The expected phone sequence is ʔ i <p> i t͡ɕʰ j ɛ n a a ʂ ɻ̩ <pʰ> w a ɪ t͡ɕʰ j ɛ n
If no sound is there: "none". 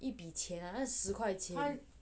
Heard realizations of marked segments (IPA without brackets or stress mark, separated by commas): p, kʰ